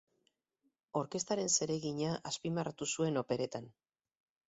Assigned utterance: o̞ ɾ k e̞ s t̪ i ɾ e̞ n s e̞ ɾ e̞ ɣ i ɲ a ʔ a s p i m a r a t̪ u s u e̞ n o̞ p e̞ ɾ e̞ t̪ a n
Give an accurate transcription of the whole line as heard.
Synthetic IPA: o̞ ɾ k e̞ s t̪ a ɾ e̞ n s e̞ ɾ e̞ ɣ i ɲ a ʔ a s p i m a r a t̪ u s u e̞ n o̞ p e̞ ɾ e̞ t̪ a n